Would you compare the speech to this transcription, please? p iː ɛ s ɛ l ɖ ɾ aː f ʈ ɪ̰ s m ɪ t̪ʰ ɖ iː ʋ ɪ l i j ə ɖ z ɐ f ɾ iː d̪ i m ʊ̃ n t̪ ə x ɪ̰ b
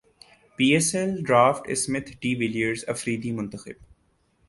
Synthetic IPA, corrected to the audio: p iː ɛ s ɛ l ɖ ɾ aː f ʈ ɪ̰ s m ɪ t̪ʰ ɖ iː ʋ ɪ l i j ə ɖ z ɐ f ɾ iː d̪ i m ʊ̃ n t̪ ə x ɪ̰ b

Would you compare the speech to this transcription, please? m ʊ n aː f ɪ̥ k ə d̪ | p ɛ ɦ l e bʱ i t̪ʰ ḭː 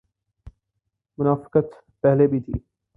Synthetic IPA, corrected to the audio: m ʊ n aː f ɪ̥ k ə t̪ | p ɛ ɦ l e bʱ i t̪ʰ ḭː

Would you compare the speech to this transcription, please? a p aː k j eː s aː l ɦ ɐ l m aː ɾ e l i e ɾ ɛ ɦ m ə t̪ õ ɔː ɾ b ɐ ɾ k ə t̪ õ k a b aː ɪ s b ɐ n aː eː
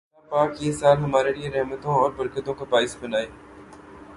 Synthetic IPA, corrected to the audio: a p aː k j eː s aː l ɦ ɐ m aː ɾ e l i e ɾ ɛ ɦ m ə t̪ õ ɔː ɾ b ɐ ɾ k ə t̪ õ k a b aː ɪ s b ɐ n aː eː

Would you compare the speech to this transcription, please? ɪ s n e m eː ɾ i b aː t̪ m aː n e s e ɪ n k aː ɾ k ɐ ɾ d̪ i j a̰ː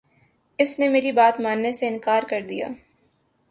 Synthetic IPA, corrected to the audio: ɪ s n e m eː ɾ i b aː t̪ m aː nː e s e ɪ n k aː ɾ k ɐ ɾ d̪ i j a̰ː

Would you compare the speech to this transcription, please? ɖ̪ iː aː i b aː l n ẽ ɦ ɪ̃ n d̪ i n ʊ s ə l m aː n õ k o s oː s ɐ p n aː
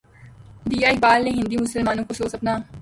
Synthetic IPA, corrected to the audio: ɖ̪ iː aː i b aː l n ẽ ɦ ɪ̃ n d̪ i m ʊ s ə l m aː n õ k o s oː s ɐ p n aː

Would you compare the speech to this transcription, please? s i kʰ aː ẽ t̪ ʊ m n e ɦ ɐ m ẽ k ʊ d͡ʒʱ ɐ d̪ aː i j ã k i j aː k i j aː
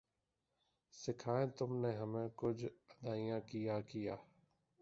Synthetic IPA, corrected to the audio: s ɪ kʰ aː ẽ t̪ ʊ m n e ɦ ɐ m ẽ k ʊ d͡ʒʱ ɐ d̪ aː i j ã k i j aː k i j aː

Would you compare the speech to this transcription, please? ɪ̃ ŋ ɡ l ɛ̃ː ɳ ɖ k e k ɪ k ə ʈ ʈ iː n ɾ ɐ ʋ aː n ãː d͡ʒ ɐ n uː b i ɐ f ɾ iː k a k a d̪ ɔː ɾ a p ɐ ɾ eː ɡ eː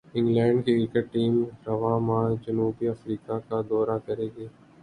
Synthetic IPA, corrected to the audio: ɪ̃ ŋ ɡ l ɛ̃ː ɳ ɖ k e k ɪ k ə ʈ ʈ iː m ɾ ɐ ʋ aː m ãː d͡ʒ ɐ n uː b i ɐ f ɾ iː k a k a d̪ ɔː ɾ a k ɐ ɾ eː ɡ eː

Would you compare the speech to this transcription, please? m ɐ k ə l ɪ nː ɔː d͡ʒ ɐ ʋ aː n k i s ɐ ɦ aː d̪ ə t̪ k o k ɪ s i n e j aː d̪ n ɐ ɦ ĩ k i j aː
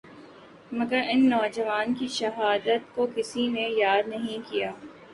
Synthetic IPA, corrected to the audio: m ɐ ɡ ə ɾ ɪ nː ɔː d͡ʒ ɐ ʋ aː n k i ʃ ɐ ɦ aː d̪ ə t̪ k o k ɪ s i n e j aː d̪ n ɐ ɦ ĩ k i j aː

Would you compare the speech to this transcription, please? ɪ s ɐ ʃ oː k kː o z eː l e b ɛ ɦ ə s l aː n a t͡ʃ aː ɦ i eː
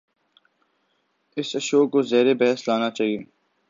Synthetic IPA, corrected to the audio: ɪ s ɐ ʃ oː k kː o z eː ɾ e b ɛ ɦ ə s l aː n a t͡ʃ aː ɦ i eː

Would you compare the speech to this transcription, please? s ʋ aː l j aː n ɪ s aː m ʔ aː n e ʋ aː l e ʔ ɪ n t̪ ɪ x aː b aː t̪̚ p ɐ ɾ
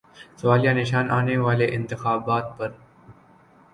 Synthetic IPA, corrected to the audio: s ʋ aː l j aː n ɪ ʃ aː n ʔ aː n e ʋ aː l e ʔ ɪ n t̪ ɪ x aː b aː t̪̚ p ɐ ɾ

